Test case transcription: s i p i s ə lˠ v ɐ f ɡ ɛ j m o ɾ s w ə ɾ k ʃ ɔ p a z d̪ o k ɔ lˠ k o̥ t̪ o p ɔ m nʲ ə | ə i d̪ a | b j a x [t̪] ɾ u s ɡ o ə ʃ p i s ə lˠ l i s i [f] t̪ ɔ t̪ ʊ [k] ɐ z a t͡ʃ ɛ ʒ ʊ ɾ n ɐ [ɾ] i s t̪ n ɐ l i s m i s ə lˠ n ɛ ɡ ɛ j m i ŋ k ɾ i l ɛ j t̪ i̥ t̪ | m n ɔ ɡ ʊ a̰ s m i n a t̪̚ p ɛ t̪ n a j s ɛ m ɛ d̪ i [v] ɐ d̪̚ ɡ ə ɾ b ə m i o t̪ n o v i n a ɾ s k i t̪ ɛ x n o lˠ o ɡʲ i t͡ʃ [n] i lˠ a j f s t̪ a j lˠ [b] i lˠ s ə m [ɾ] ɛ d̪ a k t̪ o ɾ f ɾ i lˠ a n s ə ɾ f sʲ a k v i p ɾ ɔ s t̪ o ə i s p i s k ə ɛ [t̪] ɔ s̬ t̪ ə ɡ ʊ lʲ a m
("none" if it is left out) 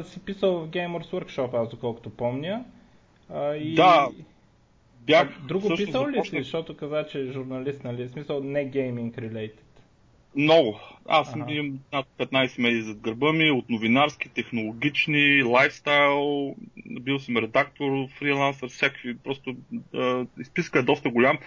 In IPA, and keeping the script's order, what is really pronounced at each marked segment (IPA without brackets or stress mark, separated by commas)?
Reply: d̪, ʃ, k, l, z, n, b, ɾ, d̪